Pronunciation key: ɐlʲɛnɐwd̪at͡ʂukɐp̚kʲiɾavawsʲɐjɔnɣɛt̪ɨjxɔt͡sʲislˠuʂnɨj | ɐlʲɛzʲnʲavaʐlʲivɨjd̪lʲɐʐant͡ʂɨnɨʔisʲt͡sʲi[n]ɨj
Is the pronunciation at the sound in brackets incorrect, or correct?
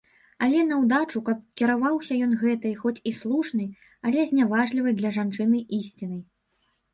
correct